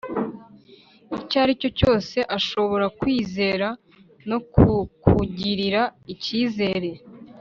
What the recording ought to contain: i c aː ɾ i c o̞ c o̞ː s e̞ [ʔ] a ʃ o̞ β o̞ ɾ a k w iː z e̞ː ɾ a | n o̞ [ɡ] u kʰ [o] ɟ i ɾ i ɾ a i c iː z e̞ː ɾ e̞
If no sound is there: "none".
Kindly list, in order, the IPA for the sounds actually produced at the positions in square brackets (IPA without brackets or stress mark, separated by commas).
ʔ, k, u